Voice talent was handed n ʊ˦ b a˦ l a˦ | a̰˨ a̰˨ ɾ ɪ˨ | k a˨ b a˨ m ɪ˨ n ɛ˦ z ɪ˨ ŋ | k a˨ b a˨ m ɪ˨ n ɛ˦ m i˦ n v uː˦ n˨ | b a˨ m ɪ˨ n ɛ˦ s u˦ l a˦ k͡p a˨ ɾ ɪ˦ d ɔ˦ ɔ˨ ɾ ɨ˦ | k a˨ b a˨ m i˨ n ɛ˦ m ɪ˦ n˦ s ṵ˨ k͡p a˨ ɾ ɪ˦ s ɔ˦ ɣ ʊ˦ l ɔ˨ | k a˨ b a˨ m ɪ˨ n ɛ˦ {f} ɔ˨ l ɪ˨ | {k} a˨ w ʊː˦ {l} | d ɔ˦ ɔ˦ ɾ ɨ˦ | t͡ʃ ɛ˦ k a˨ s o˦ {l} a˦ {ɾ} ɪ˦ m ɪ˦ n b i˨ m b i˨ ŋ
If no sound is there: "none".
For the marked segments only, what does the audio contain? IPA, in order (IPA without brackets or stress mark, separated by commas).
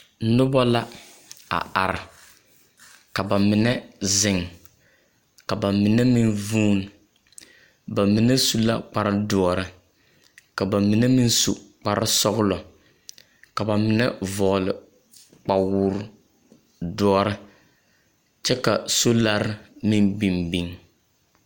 v, k͡p, ɾ, l, ɾ